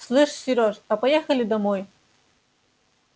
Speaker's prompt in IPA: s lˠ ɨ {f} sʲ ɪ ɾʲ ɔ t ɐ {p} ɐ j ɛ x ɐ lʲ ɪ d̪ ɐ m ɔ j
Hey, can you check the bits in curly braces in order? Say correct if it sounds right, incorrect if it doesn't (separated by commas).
incorrect, correct